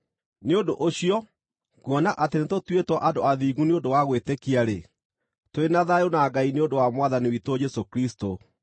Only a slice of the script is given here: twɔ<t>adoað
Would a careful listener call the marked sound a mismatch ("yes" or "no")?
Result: yes